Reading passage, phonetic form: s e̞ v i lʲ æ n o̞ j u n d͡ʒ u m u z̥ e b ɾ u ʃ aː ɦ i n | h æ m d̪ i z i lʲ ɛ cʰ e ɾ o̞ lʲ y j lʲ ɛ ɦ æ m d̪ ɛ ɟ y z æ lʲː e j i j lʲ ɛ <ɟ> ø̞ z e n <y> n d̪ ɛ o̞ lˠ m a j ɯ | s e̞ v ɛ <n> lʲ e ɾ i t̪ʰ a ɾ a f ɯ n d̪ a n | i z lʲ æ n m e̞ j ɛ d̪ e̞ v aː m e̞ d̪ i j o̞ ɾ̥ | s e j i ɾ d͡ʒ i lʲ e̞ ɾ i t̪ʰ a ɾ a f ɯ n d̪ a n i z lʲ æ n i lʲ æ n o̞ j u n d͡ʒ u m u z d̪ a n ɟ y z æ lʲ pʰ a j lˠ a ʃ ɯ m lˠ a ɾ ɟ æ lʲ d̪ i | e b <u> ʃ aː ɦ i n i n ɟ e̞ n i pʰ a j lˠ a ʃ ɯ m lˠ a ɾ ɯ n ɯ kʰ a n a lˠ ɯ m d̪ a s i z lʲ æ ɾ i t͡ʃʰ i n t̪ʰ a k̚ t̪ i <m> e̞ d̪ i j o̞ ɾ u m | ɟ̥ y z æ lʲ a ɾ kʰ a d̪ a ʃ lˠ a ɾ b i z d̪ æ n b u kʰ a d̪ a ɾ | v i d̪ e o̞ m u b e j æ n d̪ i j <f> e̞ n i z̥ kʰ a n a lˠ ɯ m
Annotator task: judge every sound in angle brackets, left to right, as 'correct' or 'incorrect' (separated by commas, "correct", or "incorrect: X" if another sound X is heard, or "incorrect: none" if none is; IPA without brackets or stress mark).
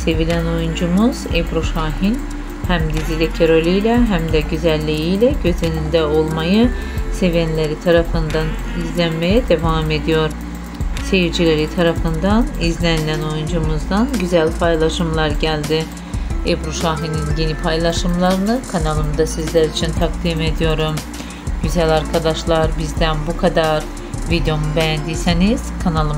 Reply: correct, incorrect: i, correct, correct, correct, incorrect: s